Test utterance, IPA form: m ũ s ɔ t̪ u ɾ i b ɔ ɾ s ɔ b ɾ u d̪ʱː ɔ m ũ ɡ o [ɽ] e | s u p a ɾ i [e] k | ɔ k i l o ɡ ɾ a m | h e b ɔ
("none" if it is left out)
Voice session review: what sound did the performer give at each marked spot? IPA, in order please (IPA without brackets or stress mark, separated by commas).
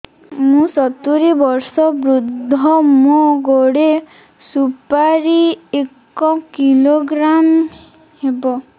ɽ, e